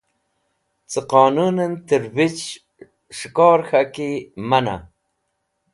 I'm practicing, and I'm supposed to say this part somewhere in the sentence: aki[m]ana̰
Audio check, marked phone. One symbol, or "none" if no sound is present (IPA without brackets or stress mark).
m